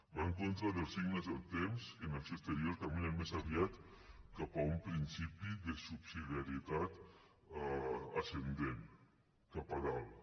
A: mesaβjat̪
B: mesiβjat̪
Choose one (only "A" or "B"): A